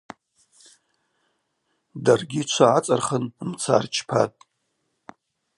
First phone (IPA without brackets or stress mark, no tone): d